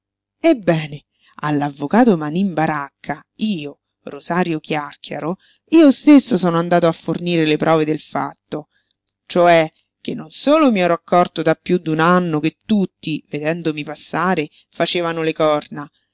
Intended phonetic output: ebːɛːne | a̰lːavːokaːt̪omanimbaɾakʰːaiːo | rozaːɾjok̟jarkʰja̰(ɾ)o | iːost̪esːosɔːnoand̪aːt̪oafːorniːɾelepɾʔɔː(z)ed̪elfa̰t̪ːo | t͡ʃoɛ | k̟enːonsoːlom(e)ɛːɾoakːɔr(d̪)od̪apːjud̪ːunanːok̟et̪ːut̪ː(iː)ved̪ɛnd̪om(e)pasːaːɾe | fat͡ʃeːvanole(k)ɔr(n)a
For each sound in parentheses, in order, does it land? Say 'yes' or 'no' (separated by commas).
yes, no, no, no, no, no, yes, yes